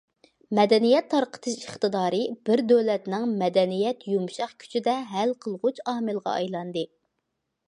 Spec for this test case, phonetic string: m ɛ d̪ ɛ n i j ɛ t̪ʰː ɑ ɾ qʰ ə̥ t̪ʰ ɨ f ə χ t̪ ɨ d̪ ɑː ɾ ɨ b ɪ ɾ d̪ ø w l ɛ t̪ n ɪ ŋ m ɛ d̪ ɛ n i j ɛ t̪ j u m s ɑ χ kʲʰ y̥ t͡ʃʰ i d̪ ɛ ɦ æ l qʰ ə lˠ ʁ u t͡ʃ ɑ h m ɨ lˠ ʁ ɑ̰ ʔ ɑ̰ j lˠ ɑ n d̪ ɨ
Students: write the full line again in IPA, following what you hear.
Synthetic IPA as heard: m ɛ d̪ ɛ n i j ɛ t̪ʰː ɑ ɾ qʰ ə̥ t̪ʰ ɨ ʃ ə χ t̪ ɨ d̪ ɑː ɾ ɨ b ɪ ɾ d̪ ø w l ɛ t̪ n ɪ ŋ m ɛ d̪ ɛ n i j ɛ t̪ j u m ʃ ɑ χ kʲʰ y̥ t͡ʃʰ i d̪ ɛ ɦ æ l qʰ ə lˠ ʁ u t͡ʃ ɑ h m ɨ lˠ ʁ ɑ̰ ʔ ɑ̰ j lˠ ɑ n d̪ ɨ

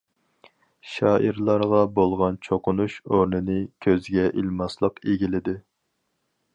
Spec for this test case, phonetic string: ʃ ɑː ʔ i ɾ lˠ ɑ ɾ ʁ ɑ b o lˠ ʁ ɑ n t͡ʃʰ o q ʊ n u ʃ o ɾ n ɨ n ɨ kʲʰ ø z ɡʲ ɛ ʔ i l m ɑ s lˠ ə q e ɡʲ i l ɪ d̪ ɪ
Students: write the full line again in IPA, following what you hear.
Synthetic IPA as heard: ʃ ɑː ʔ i ɾ lˠ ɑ ɾ ʁ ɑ b o lˠ ʁ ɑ n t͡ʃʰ o q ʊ n u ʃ o ɾ n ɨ n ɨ kʲʰ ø z ɡʲ ɛ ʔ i l m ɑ s lˠ ə q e ɡʲ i l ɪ d̪ ɪ

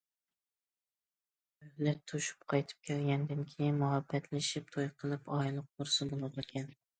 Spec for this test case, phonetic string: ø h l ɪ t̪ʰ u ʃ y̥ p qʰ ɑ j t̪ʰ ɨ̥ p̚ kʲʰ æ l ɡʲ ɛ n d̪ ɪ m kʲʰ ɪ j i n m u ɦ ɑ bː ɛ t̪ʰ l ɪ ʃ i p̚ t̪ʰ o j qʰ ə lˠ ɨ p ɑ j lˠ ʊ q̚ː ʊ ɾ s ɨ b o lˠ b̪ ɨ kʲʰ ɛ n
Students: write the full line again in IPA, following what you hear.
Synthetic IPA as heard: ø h l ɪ t̪ʰ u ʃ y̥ p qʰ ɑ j t̪ʰ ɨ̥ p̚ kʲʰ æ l ɡʲ ɛ n d̪ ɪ n kʲʰ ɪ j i n m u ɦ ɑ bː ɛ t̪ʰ l ɪ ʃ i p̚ t̪ʰ o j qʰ ə lˠ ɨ p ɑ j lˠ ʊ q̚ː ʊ ɾ s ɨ b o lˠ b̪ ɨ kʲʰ ɛ n

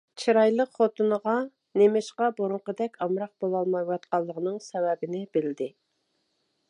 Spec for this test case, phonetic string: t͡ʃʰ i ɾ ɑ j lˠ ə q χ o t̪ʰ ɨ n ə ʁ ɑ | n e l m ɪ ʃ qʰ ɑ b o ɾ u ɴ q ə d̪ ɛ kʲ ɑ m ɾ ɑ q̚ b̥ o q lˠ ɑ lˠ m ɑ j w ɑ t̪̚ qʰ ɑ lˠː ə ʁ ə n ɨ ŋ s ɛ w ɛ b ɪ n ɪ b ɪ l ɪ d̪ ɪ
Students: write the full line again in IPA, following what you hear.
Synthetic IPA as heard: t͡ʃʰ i ɾ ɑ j lˠ ə q χ o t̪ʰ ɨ n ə ʁ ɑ | n e m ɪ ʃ q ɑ b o ɾ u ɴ q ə d̪ ɛ kʲ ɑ m ɾ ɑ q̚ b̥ o lˠ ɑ lˠ m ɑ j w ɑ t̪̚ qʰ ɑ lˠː ə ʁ ə n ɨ ŋ s ɛ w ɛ b ɪ n ɪ b ɪ l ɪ d̪ ɪ

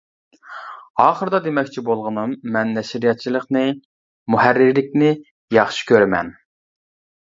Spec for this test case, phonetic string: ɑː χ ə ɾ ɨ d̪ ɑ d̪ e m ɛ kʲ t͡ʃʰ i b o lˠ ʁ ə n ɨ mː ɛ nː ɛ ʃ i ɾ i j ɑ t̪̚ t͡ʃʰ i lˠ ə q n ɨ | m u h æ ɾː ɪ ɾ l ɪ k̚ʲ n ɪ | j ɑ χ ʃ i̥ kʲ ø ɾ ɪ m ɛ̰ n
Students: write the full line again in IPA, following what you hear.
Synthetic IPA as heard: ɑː χ ə ɾ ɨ d̪ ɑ d̪ e m ɛ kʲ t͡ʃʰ i b o lˠ ʁ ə n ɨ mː ɛ nː ɛ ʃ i ɾ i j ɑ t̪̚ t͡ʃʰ i lˠ ə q n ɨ | m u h æ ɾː ɪ ɾ l ɪ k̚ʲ n ɪ | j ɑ χ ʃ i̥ kʲ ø ɾ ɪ m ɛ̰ n

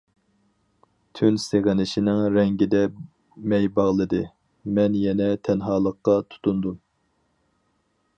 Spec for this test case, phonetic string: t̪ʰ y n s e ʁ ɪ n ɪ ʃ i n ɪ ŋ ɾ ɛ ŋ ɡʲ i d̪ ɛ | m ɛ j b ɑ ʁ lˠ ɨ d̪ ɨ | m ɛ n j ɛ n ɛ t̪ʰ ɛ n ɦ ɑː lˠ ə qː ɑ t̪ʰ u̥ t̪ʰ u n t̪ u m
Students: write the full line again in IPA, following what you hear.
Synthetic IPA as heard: t̪ʰ y n s e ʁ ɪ n ɪ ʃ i n ɪ ŋ ɾ ɛ ŋ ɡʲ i d̪ ɛ | m ɛ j b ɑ ʁ lˠ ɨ d̪ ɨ | m ɛ n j ɛ n ɛ t̪ʰ ɛ n ɦ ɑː lˠ ə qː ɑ t̪ʰ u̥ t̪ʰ u n d̪ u m

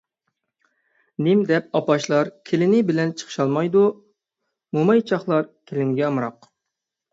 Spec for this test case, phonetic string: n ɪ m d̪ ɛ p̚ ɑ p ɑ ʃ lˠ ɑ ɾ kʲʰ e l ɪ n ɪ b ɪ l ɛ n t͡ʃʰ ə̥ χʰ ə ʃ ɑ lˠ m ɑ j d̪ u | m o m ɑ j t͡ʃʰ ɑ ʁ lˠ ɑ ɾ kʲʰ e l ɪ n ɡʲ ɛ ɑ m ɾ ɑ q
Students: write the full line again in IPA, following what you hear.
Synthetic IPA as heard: n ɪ m d̪ ɛ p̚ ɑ p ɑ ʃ lˠ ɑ ɾ kʲʰ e l ɪ n ɪ b ɪ l ɛ n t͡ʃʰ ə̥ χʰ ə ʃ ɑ lˠ m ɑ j d̪ u | m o m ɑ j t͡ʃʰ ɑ χ lˠ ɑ ɾ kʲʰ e l ɪ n ɡʲ ɛ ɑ m ɾ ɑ q

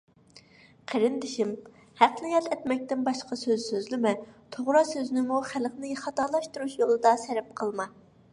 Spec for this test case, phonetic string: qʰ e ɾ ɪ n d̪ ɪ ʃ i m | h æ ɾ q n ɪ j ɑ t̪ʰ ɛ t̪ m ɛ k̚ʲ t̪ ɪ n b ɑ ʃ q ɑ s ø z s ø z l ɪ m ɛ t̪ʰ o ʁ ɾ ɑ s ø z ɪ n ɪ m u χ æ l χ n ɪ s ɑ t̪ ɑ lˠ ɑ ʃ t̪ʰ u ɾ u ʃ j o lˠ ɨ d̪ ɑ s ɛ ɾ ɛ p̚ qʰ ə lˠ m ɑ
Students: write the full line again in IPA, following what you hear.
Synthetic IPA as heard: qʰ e ɾ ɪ n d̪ ɪ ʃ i m | h æ q n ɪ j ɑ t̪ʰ ɛ t̪ m ɛ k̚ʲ t̪ ɪ n b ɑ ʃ q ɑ s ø z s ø z l ɪ m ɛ t̪ʰ o ʁ ɾ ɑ s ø z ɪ n ɪ m u χ æ l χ n ɪ χ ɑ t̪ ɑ lˠ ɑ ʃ t̪ u ɾ u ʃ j o lˠ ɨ d̪ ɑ s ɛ ɾ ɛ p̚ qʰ ə lˠ m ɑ

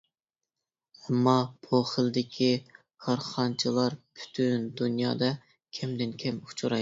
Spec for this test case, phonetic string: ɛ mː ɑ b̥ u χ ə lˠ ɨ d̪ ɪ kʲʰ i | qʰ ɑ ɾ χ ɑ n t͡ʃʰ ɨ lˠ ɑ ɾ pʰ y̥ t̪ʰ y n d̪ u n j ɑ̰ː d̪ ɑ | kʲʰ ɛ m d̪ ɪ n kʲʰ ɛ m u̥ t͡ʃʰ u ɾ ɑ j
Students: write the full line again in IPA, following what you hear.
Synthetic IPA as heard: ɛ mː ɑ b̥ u χ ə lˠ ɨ d̪ ɪ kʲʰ i | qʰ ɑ ɾ χ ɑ n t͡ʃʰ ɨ lˠ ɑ ɾ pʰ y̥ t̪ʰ y n d̪ u n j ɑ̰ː d̪ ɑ | kʲʰ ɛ m d̪ ɪ n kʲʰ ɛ m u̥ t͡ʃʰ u ɾ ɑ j

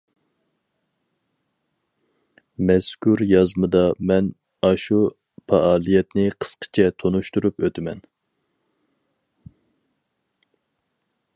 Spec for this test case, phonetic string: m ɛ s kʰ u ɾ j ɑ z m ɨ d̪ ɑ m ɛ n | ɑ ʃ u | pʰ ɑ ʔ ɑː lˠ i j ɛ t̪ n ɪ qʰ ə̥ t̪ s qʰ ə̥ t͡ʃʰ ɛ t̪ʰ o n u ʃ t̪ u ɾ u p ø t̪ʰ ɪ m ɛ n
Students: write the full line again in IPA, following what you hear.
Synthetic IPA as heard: m ɛ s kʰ u ɾ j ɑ z m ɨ d̪ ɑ m ɛ n | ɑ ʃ u | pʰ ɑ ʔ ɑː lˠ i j ɛ t̪ n ɪ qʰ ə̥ s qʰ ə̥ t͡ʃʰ ɛ t̪ʰ o n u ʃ t̪ u ɾ u p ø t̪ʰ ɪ m ɛ n

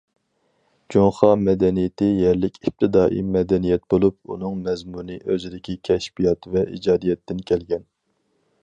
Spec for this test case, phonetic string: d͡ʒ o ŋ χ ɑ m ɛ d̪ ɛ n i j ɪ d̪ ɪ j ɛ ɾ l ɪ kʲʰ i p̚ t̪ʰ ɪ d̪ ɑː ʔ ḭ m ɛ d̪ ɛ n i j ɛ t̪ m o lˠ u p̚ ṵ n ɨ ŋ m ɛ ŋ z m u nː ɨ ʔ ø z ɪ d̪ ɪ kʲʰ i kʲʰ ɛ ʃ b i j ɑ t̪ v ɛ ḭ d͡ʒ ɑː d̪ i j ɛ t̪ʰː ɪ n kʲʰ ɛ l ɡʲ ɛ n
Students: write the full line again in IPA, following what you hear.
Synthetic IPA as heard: d͡ʒ o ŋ χ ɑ m ɛ d̪ ɛ n i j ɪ t̪ ɪ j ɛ ɾ l ɪ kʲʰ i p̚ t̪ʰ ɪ d̪ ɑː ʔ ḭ m ɛ d̪ ɛ n i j ɛ t̪ b o lˠ u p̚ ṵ n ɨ ŋ m ɛ z m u n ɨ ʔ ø z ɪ d̪ ɪ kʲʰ i kʲʰ ɛ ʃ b i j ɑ t̪ v ɛ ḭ d͡ʒ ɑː d̪ i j ɛ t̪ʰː ɪ n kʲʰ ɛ l ɡʲ ɛ n

